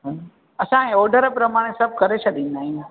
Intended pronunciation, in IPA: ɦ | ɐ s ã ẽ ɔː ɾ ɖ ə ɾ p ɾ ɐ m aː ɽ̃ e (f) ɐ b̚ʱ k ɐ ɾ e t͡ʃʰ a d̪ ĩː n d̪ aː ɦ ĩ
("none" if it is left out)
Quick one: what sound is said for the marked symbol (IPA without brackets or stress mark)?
s